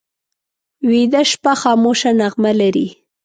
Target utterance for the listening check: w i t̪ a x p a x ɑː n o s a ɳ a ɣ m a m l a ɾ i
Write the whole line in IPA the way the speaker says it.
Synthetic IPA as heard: w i d̪ a ʃ p a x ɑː m o ʃ a n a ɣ m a l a ɾ i